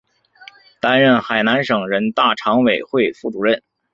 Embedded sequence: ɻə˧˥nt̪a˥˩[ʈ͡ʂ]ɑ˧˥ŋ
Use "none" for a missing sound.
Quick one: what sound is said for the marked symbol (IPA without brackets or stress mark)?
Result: ʈ͡ʂʰ